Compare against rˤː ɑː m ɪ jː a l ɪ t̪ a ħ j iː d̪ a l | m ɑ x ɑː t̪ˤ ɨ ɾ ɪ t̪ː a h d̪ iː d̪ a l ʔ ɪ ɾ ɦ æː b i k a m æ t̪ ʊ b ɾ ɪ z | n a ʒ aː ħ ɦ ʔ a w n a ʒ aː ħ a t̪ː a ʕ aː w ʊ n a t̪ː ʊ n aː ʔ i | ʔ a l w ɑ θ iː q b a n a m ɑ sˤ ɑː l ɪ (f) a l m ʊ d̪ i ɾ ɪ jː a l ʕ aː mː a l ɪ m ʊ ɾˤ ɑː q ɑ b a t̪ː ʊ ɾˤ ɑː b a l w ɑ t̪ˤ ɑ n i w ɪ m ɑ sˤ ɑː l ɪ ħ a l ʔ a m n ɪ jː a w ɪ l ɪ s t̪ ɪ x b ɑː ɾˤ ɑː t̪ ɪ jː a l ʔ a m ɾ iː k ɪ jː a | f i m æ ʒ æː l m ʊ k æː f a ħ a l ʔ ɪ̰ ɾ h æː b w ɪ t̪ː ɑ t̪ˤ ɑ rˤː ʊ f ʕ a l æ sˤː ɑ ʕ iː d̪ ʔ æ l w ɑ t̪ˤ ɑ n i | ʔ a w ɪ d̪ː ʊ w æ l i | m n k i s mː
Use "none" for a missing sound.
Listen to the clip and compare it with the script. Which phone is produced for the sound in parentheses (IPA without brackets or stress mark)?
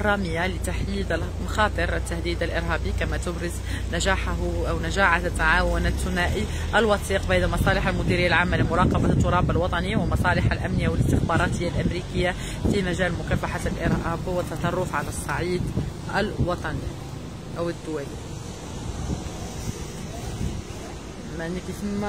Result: ħ